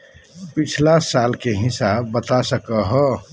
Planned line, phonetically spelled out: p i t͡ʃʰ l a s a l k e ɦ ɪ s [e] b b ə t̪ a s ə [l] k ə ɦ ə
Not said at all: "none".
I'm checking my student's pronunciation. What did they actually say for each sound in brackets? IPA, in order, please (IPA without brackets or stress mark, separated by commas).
a, none